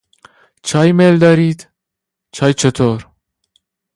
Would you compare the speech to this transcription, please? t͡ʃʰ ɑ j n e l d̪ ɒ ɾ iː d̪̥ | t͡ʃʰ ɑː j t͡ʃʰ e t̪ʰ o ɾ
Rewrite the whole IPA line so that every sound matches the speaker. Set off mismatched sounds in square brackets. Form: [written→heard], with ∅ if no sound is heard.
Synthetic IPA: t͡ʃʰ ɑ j [n→m] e l d̪ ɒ ɾ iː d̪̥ | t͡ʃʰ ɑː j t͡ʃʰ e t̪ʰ o ɾ